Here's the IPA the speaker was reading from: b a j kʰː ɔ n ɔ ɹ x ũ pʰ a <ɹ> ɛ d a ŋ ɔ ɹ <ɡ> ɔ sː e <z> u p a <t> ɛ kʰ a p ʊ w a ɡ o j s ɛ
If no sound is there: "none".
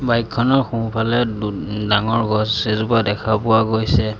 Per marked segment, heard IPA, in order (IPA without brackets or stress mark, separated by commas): l, ɡ, z, d